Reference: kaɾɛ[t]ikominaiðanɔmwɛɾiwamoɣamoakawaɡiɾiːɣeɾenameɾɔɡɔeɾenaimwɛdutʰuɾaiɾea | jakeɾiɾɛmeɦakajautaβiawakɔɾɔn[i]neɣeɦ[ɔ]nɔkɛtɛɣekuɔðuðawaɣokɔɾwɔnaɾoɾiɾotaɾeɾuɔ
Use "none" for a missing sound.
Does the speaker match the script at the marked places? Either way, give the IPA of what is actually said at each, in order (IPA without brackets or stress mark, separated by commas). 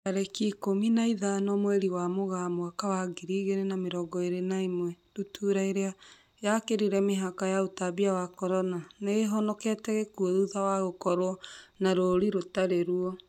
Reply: k, a, ɔ